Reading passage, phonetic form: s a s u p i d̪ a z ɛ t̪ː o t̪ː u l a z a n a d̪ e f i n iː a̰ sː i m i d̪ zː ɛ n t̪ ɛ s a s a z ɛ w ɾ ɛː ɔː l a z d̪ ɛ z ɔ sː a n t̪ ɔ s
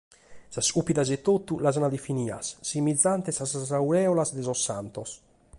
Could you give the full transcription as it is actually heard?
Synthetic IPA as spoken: s a s u p i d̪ a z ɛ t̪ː o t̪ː u l a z a n a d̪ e f i n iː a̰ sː i m i d̪ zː a n t̪ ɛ s a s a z a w ɾ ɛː ɔ l a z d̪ ɛ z ɔ sː a n t̪ ɔ s